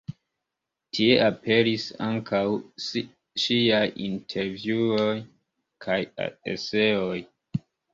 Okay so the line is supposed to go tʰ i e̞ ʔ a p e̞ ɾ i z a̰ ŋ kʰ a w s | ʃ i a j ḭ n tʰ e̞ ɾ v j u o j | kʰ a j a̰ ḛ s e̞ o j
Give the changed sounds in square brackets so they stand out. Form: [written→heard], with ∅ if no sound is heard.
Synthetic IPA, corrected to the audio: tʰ i e̞ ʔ a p e̞ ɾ i [z→s] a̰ ŋ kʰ a w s | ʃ i a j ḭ n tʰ e̞ ɾ v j u o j | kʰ a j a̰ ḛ s e̞ o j